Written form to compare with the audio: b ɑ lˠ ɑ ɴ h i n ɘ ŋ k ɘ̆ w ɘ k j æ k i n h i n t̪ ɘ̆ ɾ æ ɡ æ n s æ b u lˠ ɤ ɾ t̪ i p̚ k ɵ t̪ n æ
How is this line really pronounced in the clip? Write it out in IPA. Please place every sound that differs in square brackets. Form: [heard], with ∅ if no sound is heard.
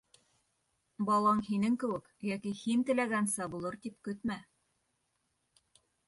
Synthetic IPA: b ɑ lˠ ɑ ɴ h i n ɘ ŋ k ɘ̆ w ɘ k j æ k i [∅] h i n t̪ ɘ̆ [l] æ ɡ æ n s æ b u lˠ ɤ ɾ t̪ i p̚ k ɵ t̪ [m] æ